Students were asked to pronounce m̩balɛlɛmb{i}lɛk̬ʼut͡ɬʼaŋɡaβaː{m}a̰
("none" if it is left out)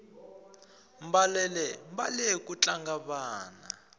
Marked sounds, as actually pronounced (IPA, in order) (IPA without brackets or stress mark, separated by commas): a, n